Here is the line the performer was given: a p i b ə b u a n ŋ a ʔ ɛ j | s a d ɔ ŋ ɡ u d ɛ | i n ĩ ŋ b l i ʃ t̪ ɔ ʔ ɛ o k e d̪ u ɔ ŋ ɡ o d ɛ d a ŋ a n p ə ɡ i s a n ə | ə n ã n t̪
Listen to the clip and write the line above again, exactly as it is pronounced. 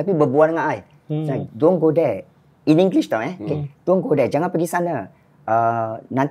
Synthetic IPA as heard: a p i b ə b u a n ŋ a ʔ a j | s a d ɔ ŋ ɡ o d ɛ | i n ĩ ŋ ɡ l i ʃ t̪ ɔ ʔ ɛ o k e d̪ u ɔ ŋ ɡ o d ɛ d͡ʒ a ŋ a n p ə ɡ i s a n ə | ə n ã n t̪